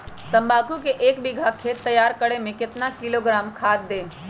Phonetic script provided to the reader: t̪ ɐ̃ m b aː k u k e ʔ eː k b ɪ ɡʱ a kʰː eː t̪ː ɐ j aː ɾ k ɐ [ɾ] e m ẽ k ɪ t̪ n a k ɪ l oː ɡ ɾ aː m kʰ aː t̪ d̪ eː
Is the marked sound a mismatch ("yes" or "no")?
yes